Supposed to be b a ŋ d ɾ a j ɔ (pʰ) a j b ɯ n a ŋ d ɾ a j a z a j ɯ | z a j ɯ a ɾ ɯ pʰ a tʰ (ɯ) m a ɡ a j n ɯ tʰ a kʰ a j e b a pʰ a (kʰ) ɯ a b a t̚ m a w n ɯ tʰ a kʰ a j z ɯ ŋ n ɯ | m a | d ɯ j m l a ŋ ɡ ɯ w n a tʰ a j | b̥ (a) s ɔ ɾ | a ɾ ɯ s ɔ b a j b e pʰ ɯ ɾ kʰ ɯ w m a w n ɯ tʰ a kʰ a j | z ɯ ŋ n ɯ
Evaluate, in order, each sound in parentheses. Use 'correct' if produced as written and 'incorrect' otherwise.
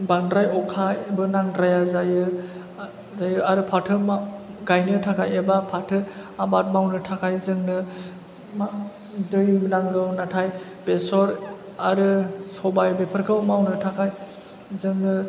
incorrect: kʰ, correct, incorrect: tʰ, incorrect: e

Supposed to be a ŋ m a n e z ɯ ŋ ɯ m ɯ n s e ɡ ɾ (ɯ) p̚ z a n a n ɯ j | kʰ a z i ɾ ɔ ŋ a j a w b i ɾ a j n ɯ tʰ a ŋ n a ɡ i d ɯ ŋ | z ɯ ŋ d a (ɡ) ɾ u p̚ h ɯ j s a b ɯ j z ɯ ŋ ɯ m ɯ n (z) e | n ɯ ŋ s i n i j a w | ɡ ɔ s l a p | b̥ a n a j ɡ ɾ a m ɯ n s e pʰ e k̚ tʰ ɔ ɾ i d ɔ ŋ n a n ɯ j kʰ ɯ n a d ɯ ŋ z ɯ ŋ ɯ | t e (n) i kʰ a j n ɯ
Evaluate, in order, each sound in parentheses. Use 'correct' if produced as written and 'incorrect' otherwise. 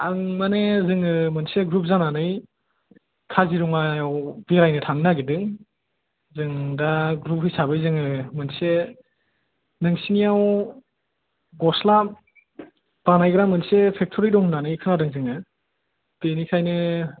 incorrect: u, correct, incorrect: s, correct

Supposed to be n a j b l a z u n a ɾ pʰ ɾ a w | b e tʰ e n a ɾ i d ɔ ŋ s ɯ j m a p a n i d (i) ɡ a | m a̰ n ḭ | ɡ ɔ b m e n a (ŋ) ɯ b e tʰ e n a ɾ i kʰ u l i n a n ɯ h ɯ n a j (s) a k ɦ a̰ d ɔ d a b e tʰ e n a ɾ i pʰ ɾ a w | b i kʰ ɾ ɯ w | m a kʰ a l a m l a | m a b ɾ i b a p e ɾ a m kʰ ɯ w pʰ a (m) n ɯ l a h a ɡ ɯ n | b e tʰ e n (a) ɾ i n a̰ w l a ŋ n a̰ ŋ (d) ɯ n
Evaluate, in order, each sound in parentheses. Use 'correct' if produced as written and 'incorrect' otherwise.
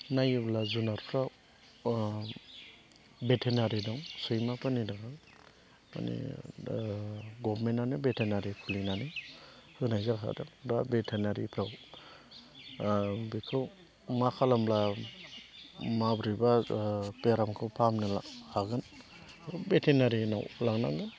incorrect: a, incorrect: n, incorrect: z, correct, correct, incorrect: ɡ

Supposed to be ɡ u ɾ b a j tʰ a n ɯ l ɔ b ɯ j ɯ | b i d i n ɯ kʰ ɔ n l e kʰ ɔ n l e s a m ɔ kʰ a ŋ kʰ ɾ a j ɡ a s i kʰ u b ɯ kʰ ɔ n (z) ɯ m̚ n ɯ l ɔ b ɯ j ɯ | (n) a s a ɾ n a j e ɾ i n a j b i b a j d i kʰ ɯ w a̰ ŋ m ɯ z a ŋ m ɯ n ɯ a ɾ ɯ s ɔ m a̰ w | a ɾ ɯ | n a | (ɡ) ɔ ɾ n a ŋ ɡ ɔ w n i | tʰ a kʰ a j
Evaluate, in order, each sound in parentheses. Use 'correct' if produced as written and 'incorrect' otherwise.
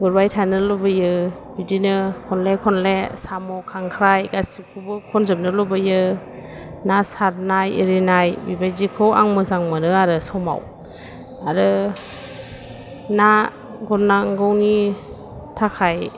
correct, correct, correct

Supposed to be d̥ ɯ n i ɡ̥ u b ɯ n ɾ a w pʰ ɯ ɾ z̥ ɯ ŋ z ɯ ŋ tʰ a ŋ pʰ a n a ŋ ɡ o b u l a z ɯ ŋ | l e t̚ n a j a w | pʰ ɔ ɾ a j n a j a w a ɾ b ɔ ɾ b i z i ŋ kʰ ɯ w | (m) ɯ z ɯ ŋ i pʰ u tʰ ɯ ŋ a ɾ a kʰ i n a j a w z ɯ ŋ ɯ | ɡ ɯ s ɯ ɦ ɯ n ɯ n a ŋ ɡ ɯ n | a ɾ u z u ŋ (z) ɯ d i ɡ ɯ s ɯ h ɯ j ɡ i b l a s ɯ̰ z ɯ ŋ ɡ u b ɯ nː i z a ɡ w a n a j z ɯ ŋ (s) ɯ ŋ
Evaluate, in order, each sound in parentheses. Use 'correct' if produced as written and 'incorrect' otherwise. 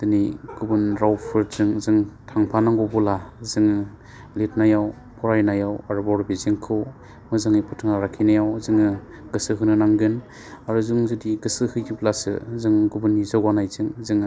correct, correct, incorrect: z

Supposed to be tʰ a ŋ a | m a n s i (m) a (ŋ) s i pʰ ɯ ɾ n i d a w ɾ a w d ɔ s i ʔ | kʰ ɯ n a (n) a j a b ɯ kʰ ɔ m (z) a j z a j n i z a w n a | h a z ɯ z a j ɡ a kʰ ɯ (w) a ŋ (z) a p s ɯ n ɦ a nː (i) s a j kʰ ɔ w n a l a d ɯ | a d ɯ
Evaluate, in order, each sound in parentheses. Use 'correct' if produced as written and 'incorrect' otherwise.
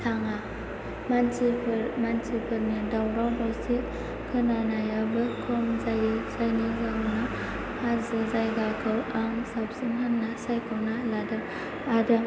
correct, incorrect: n, correct, correct, correct, incorrect: s, incorrect: a

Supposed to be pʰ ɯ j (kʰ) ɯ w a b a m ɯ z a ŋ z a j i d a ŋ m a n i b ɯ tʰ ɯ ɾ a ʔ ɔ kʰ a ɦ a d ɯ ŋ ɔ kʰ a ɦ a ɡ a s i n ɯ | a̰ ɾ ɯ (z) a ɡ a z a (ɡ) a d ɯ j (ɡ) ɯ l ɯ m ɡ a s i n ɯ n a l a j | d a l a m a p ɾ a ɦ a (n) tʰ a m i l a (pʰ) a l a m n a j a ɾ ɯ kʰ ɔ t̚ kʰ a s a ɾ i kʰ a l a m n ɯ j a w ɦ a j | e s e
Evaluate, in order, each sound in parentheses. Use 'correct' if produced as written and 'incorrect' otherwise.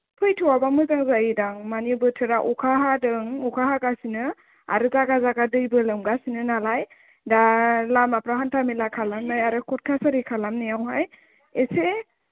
incorrect: tʰ, correct, correct, incorrect: b, correct, incorrect: kʰ

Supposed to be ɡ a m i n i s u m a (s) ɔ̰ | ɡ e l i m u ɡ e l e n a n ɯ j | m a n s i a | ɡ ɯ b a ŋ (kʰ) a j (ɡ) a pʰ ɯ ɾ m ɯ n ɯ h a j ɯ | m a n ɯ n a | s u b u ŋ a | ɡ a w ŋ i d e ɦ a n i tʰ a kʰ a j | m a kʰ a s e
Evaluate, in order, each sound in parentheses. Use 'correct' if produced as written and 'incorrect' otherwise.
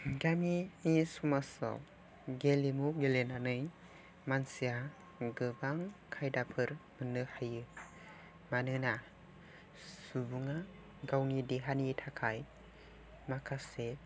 correct, correct, incorrect: d

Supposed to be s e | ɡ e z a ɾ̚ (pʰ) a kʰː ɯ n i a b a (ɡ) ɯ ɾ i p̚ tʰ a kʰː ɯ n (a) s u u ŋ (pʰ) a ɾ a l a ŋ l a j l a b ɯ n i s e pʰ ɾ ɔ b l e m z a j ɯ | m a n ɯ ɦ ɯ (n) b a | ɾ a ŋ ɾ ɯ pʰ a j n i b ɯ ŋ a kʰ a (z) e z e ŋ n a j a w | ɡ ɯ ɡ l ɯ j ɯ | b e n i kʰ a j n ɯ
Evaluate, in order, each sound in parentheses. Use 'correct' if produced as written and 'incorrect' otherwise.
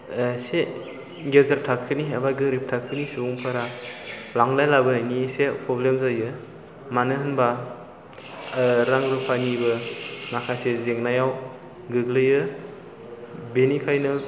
incorrect: tʰ, correct, incorrect: i, correct, correct, incorrect: s

